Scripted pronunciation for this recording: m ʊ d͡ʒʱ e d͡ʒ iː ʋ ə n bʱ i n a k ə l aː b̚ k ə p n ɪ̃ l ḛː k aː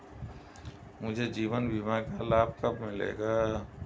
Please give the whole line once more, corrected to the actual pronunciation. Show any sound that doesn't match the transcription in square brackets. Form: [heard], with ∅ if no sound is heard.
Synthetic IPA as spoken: m ʊ d͡ʒʱ e d͡ʒ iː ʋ ə n bʱ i [m] a k [a] l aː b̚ k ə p [m] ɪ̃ l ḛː [ɡ] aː